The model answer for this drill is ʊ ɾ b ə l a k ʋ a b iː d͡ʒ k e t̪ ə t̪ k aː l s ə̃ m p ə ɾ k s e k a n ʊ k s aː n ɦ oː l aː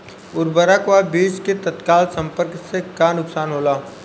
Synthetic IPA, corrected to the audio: ʊ ɾ b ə ɾ a k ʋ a b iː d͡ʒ k e t̪ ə t̪ k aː l s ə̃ m p ə ɾ k s e k a n ʊ k s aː n ɦ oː l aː